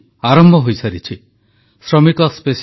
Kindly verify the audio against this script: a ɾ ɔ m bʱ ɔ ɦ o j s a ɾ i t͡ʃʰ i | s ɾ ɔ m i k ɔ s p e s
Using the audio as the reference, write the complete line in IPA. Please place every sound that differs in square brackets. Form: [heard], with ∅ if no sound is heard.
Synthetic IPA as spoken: a ɾ ɔ m bʱ ɔ ɦ o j s a ɾ i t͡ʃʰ i | s ɾ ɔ m i k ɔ s p e s